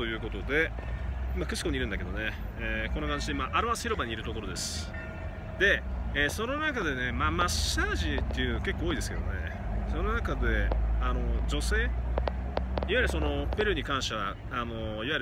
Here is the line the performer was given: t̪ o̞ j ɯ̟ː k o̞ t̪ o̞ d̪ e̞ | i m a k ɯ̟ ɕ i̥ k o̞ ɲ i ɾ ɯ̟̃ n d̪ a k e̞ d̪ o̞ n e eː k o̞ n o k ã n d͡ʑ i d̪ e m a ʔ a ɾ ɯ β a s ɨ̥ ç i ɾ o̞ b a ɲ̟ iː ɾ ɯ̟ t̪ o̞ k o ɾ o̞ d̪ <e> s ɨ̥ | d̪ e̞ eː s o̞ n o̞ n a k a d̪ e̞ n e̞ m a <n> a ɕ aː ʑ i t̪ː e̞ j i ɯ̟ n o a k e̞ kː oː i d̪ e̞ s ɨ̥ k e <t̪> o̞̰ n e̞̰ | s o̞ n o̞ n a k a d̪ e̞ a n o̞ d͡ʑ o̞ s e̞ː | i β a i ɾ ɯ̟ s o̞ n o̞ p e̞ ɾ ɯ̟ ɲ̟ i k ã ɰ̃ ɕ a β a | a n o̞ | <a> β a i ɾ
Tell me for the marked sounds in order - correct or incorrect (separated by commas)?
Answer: correct, incorrect, incorrect, incorrect